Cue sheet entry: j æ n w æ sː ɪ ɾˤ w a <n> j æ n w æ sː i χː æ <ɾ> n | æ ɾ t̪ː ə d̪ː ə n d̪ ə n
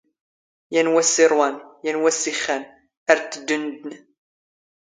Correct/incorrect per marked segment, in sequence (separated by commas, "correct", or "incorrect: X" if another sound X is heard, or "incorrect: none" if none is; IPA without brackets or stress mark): correct, incorrect: none